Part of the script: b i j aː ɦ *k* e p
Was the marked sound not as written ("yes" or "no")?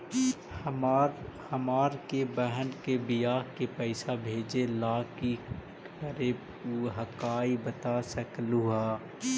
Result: no